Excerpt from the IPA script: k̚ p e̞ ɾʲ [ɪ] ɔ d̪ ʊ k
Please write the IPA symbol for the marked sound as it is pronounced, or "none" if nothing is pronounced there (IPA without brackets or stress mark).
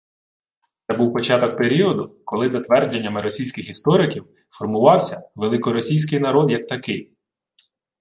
i